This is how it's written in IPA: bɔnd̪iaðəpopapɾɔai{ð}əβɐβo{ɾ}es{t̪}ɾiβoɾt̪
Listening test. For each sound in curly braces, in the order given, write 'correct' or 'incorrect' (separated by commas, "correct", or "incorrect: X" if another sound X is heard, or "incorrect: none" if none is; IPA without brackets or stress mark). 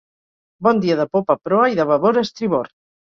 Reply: correct, correct, correct